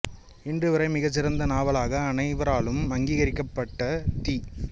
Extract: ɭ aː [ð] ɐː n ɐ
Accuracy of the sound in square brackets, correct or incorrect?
incorrect